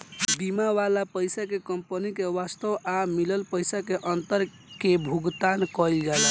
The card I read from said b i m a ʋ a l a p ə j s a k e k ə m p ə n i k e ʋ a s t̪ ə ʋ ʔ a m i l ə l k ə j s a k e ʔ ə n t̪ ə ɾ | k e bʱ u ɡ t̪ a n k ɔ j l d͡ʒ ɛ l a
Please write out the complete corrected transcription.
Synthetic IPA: b i m a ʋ a l a p ə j s a k e k ə m p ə n i k e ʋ a s t̪ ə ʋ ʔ a m i l ə l p ə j s a k e ʔ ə n t̪ ə ɾ | k e bʱ u ɡ t̪ a n k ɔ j l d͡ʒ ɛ l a

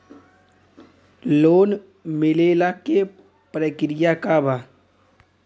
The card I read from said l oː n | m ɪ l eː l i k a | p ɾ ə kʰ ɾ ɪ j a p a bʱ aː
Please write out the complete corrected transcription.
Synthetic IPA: l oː n | m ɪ l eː l a k e | p ɾ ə k ɾ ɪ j a k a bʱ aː

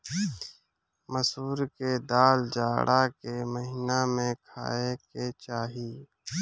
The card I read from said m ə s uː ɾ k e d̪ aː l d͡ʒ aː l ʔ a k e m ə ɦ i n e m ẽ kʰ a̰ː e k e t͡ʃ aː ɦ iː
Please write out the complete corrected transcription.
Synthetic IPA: m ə s uː ɾ k e d̪ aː l d͡ʒ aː ɽ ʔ a k e m ə ɦ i n a m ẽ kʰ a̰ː e k e t͡ʃ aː ɦ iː

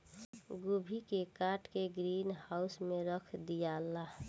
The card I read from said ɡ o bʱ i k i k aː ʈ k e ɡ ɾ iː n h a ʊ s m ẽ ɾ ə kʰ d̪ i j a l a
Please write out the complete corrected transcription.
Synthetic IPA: ɡ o bʱ i k e k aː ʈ k e ɡ ɾ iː n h a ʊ s m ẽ ɾ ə kʰ d̪ i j a l a

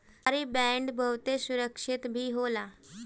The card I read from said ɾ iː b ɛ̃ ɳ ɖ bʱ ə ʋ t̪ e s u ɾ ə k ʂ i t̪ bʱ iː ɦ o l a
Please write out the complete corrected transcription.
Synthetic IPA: ɾ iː b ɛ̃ ɳ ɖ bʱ ə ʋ t̪ e s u ɾ ə k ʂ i t̪ bʱ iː ɦ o l a

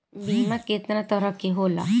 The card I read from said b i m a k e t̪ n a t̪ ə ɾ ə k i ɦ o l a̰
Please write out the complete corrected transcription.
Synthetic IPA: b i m a k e t̪ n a t̪ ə ɾ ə k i ɦ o l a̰

